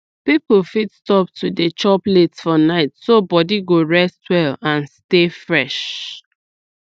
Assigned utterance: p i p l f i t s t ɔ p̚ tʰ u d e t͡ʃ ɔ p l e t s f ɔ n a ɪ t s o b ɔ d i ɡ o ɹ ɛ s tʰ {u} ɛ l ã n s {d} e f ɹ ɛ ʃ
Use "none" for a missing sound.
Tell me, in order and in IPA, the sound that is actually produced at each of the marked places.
w, t

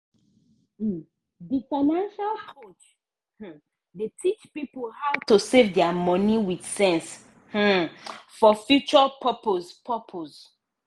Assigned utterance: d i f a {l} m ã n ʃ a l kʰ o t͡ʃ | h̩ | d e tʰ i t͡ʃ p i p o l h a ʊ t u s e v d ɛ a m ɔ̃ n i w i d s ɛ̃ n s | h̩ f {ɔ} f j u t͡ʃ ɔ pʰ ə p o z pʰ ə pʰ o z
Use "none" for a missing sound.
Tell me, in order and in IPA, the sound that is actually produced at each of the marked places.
none, ɔ

